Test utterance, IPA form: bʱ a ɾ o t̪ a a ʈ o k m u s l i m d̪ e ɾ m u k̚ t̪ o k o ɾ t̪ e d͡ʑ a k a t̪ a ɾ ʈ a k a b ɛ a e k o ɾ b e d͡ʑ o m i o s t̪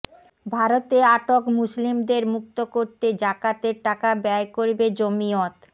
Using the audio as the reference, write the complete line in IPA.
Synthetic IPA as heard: bʱ a ɾ o t̪ e a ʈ o k m u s l i m d̪ e ɾ m u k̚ t̪ o k o ɾ t̪ e d͡ʑ a k a t̪ e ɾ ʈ a k a b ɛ a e k o ɾ b e d͡ʑ o m i o t̪

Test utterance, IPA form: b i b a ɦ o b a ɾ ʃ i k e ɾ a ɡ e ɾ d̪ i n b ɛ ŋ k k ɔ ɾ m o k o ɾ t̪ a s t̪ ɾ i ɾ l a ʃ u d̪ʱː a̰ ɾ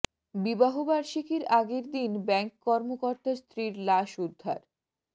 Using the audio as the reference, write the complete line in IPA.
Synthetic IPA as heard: b i b a ɦ o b a ɾ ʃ i k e ɾ a ɡ e ɾ d̪ i n b ɛ ŋ k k ɔ ɾ m o k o ɾ t̪ a s t̪ ɾ i ɾ l a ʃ u d̪ʱː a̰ ɾ

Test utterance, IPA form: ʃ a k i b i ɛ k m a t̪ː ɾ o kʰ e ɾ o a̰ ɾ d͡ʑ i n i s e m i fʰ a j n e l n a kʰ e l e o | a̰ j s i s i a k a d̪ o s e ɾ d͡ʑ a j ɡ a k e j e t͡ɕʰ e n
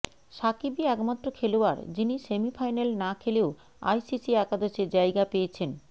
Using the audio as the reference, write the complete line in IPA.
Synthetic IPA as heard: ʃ a k i b i ɛ k m a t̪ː ɾ o kʰ e l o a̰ ɾ d͡ʑ i n i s e m i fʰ a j n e l n a kʰ e l e o | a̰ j s i s i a k a d̪ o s e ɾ d͡ʑ a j ɡ a p e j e t͡ɕʰ e n

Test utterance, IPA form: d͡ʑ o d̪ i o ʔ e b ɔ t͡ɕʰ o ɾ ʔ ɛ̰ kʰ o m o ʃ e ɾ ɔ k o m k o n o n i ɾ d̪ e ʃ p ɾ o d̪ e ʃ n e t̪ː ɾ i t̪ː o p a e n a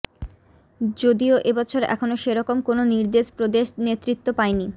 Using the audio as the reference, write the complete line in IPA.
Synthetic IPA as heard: d͡ʑ o d̪ i o ʔ e b ɔ t͡ɕʰ o ɾ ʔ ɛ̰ kʰ o n o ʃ e ɾ ɔ k o m k o n o n i ɾ d̪ e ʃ p ɾ o d̪ e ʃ n e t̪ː ɾ i t̪ː o p a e n i

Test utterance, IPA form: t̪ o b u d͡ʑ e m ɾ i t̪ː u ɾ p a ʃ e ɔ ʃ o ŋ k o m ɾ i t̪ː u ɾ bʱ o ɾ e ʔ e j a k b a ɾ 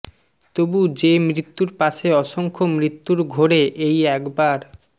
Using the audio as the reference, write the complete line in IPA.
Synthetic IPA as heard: t̪ o b u d͡ʑ e m ɾ i t̪ː u ɾ p a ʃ e ɔ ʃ o ŋ kʰ o m ɾ i t̪ː u ɾ ɡʱ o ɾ e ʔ e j ɛ k b a ɾ

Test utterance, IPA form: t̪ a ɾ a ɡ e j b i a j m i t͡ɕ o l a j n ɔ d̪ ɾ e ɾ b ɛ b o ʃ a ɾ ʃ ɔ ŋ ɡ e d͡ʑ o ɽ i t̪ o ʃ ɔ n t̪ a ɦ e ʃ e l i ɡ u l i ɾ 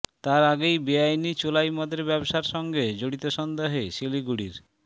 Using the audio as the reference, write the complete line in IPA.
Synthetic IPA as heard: t̪ a ɾ a ɡ e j b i a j n i t͡ɕ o l a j m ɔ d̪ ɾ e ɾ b ɛ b o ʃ a ɾ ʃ ɔ ŋ ɡ e d͡ʑ o ɽ i t̪ o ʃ ɔ n d̪ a ɦ e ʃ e l i ɡ u ɽ i ɾ

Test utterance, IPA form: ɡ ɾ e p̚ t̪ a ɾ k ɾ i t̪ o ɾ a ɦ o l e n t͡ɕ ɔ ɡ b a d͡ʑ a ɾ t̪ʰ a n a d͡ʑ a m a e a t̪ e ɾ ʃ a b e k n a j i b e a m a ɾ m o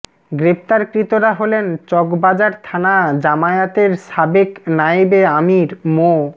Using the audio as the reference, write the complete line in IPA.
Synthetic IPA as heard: ɡ ɾ e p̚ t̪ a ɾ k ɾ i t̪ o ɾ a ɦ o l e n t͡ɕ ɔ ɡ b a d͡ʑ a ɾ t̪ʰ a n a d͡ʑ a m a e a t̪ e ɾ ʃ a b e k n a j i b e a m i ɾ m o

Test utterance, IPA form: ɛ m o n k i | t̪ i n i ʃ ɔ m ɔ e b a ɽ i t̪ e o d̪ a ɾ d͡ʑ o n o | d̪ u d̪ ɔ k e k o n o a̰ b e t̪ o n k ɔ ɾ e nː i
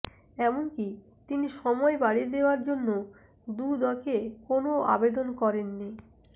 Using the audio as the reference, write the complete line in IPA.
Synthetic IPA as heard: ɛ m o n k i | t̪ i n i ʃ ɔ m ɔ e b a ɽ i d̪ e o a ɾ d͡ʑ o nː o | d̪ u d̪ ɔ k e k o n o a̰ b e d̪ o n k ɔ ɾ e nː i

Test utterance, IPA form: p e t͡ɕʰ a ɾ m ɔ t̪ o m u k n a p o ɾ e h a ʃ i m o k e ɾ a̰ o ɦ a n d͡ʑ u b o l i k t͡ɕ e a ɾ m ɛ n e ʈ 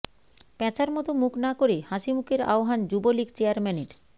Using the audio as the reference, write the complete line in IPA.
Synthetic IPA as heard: p ɛ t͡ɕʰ a ɾ m ɔ t̪ o m u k n a k o ɾ e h a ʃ i m u k e ɾ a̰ o ɦ a n d͡ʑ u b o l i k t͡ɕ e a ɾ m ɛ n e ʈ

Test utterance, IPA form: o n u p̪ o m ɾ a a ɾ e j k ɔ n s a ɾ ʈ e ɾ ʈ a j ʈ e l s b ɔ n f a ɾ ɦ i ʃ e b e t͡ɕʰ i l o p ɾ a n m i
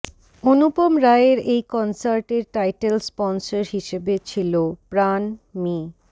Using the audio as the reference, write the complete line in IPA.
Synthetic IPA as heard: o n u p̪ o m ɾ a e ɾ e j k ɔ n s a ɾ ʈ e ɾ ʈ a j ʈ e l s p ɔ n s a ɾ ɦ i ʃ e b e t͡ɕʰ i l o p ɾ a n m i

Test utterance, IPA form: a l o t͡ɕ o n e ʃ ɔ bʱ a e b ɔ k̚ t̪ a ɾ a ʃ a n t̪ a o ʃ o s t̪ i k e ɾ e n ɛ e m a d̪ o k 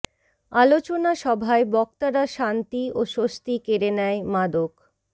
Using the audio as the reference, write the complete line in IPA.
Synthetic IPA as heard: a l o t͡ɕ o n a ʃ ɔ bʱ a e b ɔ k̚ t̪ a ɾ a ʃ a n t̪ i o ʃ o s t̪ i k e ɾ e n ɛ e m a d̪ o k

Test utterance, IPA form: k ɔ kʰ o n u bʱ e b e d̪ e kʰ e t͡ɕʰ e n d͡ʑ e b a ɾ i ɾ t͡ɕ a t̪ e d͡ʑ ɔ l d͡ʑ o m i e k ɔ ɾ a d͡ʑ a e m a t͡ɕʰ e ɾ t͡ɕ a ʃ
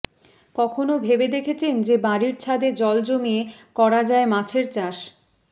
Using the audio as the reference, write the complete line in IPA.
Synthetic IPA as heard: k ɔ kʰ o n o bʱ e b e d̪ e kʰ e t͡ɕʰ e n d͡ʑ e b a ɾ i ɾ t͡ɕʰ a d̪ e d͡ʑ ɔ l d͡ʑ o m i e k ɔ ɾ a d͡ʑ a e m a t͡ɕʰ e ɾ t͡ɕ a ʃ

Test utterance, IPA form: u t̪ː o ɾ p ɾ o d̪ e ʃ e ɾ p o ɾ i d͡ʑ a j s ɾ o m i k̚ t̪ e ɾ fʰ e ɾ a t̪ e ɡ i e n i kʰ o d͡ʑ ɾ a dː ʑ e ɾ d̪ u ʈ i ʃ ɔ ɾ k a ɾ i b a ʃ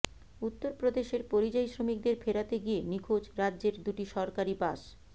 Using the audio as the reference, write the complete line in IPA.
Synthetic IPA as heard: u t̪ː o ɾ p ɾ o d̪ e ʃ e ɾ p o ɾ i d͡ʑ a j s ɾ o m i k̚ d̪ e ɾ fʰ e ɾ a t̪ e ɡ i e n i kʰ o d͡ʑ ɾ a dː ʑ e ɾ d̪ u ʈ i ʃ ɔ ɾ k a ɾ i b a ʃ

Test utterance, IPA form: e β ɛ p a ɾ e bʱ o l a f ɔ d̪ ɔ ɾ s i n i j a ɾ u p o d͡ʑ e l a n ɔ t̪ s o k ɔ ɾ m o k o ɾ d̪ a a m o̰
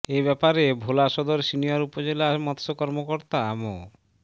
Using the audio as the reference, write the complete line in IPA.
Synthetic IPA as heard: e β ɛ p a ɾ e bʱ o l a ʃ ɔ d̪ o ɾ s i n i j a ɾ u p o d͡ʑ e l a m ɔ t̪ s o k ɔ ɾ m o k o ɾ t̪ a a m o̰

